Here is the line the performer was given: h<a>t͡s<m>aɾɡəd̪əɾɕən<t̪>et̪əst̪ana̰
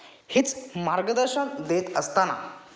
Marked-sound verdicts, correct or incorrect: incorrect: i, correct, incorrect: d̪

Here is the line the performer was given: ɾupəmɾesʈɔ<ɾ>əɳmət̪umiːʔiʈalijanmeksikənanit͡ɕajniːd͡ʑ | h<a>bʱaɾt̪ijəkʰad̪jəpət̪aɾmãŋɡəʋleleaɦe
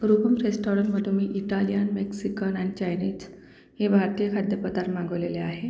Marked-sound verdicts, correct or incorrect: correct, incorrect: e

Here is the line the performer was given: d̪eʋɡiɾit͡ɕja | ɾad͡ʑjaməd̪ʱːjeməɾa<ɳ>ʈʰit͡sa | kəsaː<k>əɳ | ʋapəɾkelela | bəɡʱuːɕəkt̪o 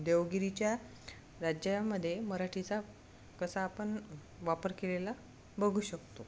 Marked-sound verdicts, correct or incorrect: incorrect: none, incorrect: p

